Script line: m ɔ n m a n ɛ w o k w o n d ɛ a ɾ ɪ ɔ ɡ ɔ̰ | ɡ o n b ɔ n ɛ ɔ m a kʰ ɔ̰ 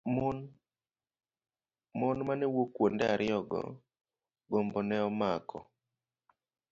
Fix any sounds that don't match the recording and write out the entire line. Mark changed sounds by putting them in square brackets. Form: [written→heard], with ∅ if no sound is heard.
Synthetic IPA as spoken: m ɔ n m a n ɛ w o k w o n d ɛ a ɾ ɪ ɔ ɡ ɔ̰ | ɡ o [n→m] b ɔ n ɛ ɔ m a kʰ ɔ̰